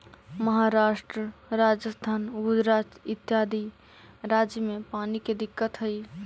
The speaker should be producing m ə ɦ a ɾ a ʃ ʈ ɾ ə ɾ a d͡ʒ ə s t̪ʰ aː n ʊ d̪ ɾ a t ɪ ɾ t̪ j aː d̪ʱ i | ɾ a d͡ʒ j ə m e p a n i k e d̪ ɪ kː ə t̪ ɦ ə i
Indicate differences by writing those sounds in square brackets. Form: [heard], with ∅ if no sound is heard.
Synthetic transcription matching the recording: m ə ɦ a ɾ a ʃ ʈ ɾ ə ɾ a d͡ʒ ə s t̪ʰ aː n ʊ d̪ ɾ a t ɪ [∅] t̪ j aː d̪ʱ i | ɾ a d͡ʒ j ə m e p a n i k e d̪ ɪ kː ə t̪ ɦ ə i